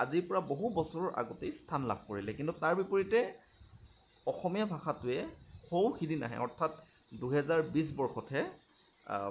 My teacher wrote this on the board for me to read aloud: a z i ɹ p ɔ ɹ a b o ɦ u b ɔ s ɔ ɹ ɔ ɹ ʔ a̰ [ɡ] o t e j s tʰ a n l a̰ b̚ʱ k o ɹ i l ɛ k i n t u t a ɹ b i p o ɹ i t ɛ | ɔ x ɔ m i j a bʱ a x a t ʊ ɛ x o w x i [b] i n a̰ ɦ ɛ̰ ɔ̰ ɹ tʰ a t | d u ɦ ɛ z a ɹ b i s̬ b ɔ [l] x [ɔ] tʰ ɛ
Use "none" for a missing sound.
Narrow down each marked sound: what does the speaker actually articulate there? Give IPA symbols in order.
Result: ɡ, d, ɹ, ɔ

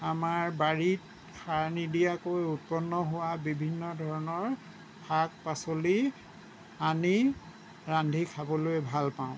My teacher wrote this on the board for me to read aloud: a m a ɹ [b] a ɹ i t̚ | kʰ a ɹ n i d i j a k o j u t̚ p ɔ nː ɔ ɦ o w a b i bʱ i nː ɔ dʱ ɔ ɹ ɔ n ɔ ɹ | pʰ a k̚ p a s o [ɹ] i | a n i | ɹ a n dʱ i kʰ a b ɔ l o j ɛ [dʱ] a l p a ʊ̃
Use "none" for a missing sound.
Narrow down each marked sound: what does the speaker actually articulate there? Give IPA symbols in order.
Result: b, l, bʱ

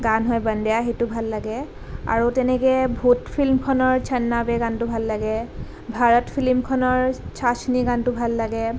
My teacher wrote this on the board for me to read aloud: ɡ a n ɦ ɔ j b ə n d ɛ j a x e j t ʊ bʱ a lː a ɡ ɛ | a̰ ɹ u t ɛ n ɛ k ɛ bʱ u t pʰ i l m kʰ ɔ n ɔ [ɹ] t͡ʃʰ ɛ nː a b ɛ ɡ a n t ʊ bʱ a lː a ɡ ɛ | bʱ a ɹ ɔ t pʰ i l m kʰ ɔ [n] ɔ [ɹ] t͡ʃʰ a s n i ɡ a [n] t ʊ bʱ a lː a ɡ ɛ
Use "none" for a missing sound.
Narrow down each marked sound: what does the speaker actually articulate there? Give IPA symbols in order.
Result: ɹ, n, ɹ, n

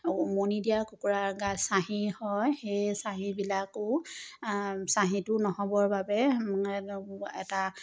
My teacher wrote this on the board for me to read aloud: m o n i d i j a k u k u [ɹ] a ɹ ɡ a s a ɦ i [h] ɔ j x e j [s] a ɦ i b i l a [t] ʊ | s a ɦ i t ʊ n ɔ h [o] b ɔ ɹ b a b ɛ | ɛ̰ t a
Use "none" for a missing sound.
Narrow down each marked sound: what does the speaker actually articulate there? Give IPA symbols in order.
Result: ɹ, h, s, k, ɔ

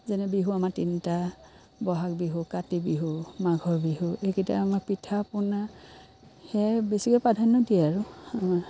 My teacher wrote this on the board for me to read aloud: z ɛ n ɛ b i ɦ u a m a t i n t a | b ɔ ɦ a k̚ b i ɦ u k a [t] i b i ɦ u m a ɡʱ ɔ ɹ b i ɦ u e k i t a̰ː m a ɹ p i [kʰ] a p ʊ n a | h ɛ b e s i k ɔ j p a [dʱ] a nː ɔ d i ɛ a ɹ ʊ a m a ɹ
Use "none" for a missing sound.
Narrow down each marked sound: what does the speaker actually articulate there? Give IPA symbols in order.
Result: t, tʰ, dʱ

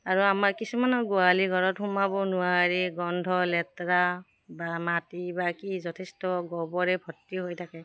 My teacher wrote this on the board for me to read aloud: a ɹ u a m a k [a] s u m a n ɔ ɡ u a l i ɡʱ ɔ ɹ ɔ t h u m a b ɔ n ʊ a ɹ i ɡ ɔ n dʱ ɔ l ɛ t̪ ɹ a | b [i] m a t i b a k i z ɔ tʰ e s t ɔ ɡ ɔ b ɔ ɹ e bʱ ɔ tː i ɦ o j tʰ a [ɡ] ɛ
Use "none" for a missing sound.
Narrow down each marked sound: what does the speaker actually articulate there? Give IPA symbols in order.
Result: i, a, k

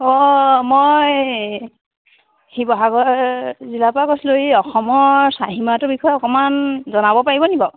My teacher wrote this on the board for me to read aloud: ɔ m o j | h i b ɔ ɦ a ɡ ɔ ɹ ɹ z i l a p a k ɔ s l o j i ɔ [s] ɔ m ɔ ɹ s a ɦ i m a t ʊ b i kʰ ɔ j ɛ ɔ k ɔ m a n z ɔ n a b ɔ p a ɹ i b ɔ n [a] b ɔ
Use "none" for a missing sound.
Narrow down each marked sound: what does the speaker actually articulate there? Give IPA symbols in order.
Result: x, i

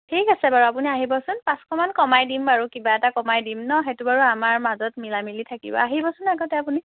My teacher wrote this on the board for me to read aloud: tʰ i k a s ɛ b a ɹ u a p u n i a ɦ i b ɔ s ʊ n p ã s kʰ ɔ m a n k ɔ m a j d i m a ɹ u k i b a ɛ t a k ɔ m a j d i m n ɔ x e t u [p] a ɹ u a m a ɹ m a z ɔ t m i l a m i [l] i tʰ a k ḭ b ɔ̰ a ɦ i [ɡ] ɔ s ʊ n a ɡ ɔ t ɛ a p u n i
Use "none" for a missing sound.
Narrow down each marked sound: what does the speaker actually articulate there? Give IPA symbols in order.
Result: b, l, b

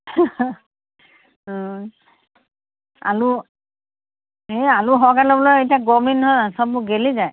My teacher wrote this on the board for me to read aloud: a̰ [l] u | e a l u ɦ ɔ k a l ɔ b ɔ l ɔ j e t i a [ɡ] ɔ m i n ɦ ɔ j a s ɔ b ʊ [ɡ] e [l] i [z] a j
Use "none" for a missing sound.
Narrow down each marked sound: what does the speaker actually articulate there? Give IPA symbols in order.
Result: l, ɡ, ɡ, l, z

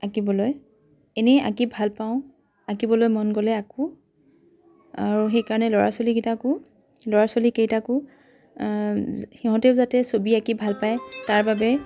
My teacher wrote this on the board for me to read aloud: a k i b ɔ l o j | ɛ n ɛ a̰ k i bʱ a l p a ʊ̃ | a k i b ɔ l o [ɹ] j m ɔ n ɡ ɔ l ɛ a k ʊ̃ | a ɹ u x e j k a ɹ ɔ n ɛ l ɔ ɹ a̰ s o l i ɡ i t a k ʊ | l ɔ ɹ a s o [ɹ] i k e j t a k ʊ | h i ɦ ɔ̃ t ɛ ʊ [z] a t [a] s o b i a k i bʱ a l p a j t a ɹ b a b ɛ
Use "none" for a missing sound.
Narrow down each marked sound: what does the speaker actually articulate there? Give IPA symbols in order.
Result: none, l, z, ɛ

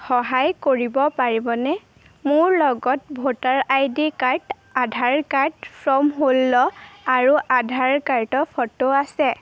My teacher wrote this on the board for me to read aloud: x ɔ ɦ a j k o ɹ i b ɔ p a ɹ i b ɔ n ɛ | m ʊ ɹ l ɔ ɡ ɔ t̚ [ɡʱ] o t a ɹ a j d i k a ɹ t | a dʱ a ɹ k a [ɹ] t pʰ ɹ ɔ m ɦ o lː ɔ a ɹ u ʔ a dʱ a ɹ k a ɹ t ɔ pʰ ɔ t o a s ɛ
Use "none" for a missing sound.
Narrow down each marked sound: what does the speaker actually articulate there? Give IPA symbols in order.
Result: bʱ, ɹ

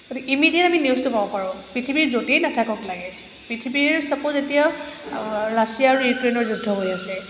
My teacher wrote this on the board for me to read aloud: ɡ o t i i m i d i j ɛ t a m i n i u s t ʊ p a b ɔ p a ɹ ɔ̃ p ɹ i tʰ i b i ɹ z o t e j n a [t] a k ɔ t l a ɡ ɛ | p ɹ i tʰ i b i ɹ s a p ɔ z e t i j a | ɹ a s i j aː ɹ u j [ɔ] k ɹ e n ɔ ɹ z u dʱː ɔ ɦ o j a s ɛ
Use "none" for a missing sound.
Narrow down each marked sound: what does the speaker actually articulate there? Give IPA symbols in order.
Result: tʰ, u

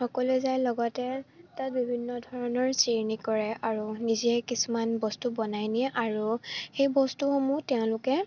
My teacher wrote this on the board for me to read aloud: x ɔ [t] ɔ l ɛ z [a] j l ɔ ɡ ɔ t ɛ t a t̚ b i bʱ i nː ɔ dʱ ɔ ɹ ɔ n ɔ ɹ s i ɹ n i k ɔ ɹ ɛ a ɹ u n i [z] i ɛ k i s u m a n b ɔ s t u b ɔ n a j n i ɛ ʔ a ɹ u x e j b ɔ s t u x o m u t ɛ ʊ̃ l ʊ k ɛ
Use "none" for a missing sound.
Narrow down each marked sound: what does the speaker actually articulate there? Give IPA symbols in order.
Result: k, a, z

